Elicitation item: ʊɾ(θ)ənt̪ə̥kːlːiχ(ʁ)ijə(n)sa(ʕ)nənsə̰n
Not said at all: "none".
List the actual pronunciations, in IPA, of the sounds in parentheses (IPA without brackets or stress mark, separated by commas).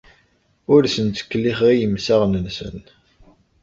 s, ʁ, m, ʁ